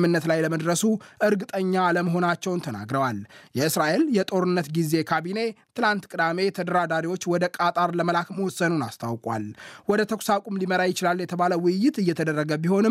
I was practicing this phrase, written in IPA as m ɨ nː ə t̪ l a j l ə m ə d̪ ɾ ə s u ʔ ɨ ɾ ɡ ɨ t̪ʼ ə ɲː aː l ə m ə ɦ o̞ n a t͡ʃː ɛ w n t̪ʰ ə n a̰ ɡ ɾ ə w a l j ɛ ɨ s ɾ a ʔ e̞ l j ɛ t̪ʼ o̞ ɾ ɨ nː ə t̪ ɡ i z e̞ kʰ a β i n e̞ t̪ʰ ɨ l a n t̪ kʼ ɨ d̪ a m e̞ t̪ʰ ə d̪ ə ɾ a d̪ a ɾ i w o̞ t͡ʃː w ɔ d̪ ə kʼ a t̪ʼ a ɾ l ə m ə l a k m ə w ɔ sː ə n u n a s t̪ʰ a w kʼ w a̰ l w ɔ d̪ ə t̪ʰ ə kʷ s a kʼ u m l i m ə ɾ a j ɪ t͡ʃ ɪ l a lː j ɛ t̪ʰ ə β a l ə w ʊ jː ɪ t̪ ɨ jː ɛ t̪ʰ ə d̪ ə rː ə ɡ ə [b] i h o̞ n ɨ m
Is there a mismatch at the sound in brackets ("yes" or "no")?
no